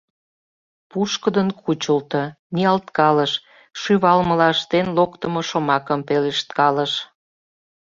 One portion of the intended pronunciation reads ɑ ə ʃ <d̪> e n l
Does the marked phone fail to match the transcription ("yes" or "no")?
yes